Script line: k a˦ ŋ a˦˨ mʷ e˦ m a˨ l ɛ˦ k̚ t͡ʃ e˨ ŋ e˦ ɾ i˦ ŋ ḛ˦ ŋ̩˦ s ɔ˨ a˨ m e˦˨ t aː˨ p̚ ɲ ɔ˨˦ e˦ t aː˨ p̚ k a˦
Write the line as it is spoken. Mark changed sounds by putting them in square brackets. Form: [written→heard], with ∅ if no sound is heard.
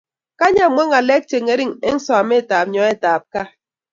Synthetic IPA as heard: k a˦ [ŋ→ɲ] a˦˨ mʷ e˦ [m→ŋ] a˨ l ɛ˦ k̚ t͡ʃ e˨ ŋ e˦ ɾ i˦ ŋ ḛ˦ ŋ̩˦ s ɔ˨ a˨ m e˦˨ t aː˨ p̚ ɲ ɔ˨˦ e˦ t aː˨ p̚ k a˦